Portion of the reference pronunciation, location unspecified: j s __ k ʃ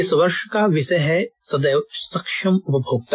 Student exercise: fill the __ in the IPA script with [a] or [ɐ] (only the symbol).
ɐ